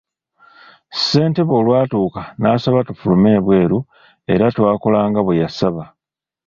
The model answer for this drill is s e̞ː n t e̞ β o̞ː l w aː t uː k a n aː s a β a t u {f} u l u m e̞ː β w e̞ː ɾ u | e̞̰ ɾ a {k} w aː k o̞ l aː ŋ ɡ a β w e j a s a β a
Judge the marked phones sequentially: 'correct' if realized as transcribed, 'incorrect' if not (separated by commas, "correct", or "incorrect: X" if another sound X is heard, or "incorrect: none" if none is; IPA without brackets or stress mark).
correct, incorrect: t